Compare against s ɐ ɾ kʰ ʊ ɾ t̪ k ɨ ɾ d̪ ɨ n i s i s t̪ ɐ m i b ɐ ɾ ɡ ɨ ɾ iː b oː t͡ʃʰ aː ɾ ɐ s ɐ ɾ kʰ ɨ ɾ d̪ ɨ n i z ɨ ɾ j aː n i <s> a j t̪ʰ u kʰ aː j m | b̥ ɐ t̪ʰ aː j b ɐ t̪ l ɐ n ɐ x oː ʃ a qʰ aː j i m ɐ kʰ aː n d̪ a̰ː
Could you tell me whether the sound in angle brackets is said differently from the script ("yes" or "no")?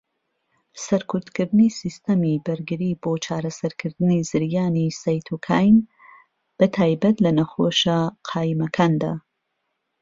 no